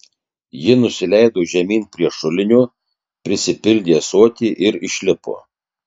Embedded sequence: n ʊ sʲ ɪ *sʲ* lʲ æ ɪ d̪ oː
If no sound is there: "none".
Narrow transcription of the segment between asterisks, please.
none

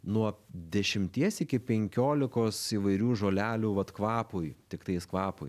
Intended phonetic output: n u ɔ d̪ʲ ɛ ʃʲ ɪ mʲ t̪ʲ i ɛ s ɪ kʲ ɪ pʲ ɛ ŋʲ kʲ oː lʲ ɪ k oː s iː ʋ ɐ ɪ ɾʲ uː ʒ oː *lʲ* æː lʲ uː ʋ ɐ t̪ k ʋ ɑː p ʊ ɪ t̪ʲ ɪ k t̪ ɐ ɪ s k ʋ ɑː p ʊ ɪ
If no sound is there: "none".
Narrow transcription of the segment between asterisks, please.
lʲ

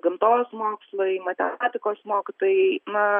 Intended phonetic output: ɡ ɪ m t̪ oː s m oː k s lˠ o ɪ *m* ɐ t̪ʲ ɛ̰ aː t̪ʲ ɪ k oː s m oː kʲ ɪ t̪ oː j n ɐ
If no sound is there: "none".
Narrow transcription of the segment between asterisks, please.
m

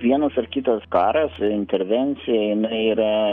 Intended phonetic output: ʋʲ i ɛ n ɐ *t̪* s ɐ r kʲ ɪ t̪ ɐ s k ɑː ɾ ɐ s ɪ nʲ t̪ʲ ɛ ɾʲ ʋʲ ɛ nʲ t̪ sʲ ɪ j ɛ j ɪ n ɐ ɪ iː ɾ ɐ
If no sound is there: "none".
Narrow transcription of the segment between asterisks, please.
none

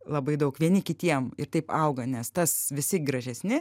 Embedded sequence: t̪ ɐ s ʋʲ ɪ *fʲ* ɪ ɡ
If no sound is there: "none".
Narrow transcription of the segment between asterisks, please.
sʲ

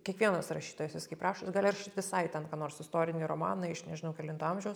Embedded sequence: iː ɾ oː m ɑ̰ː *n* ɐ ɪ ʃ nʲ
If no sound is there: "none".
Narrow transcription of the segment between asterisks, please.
n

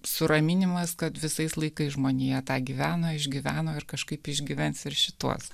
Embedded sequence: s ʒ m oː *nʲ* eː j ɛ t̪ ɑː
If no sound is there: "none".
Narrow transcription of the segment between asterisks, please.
nʲ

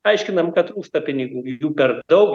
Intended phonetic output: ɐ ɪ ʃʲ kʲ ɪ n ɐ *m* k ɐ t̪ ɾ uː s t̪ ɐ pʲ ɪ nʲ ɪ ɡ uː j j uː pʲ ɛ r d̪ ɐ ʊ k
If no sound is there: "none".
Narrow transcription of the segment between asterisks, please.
m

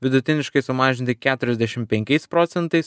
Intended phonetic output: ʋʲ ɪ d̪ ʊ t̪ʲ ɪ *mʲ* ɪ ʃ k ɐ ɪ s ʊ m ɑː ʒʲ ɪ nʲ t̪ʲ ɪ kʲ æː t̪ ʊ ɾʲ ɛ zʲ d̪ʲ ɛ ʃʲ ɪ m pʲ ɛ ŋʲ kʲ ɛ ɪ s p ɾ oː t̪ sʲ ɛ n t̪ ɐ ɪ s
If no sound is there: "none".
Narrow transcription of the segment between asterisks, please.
nʲ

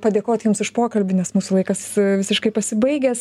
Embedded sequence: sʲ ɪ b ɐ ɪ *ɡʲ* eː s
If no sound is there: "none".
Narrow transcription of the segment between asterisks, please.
ɡʲ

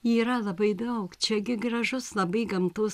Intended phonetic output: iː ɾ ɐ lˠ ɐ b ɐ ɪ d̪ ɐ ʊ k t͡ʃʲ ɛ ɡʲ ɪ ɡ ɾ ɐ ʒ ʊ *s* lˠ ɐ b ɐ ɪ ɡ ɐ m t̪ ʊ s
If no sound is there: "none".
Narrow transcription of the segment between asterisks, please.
s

